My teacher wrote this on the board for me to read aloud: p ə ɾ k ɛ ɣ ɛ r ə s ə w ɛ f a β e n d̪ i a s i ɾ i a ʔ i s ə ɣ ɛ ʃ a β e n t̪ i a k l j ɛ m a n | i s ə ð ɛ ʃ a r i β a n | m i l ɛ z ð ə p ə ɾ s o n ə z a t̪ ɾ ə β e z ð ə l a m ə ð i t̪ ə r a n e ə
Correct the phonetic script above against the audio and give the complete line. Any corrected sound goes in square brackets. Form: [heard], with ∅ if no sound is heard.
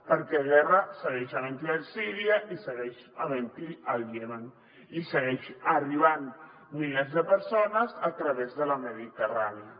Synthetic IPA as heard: p ə ɾ k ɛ ɣ ɛ r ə s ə [ɣ] ɛ [ʃ] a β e n [t̪] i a s i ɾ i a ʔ i s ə ɣ ɛ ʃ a β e n t̪ i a [∅] l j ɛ m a n | i s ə [ɣ] ɛ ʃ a r i β a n | m i l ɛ z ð ə p ə ɾ s o n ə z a t̪ ɾ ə β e z ð ə l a m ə ð i t̪ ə r a n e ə